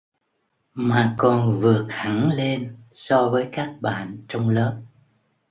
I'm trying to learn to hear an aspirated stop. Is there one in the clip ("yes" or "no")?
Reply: no